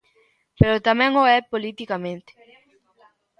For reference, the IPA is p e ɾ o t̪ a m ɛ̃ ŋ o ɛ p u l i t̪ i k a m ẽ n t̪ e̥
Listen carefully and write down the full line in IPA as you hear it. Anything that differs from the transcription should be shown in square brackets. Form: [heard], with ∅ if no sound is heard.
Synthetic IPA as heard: p e ɾ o t̪ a m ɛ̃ ŋ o ɛ p [o] l i t̪ i k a m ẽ n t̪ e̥